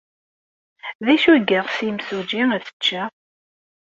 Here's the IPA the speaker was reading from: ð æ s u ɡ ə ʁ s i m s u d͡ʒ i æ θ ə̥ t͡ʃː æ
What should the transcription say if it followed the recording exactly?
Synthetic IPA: ð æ ʃ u ɡ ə ʁ s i m s u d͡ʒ i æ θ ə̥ t͡ʃː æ

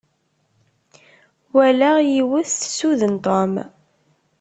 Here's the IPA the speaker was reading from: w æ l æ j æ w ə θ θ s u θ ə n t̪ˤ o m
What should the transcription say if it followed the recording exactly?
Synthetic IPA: w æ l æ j i w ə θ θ s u ð ə n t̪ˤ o m

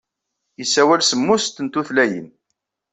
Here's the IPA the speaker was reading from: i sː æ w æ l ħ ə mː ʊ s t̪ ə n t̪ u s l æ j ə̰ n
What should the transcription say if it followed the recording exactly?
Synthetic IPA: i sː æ w æ l s ə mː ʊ s t̪ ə n t̪ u θ l æ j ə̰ n

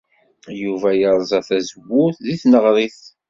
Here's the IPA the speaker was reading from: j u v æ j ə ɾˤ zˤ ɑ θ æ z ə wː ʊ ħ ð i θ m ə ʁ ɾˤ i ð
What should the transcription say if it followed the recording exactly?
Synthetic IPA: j u v æ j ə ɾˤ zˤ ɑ θ æ z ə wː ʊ θ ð i θ n ə ʁ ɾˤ i θ

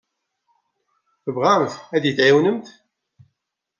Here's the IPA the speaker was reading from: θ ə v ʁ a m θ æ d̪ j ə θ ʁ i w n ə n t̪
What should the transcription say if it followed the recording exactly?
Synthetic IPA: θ ə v ʁ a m θ æ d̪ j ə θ ʕ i w n ə m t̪

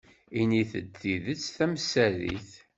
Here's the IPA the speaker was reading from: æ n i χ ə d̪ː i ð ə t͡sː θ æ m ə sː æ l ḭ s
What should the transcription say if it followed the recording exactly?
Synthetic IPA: i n i θ ə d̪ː i ð ə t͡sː θ æ m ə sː æ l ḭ θ

